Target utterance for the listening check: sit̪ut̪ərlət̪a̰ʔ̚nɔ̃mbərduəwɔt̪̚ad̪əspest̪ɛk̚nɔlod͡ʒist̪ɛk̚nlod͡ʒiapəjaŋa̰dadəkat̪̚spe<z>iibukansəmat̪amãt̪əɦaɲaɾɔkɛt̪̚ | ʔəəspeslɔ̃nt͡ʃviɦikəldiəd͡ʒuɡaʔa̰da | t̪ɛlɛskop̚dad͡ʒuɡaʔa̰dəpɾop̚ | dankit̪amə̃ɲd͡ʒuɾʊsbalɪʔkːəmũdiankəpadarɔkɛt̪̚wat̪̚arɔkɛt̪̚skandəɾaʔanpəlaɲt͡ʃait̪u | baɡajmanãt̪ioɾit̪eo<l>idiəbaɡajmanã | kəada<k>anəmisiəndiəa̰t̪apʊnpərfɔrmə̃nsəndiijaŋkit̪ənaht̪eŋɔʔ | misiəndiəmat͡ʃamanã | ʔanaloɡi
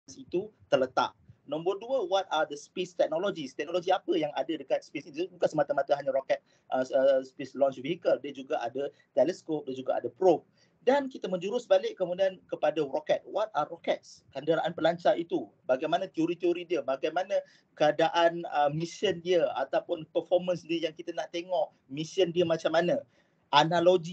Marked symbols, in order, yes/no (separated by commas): no, no, no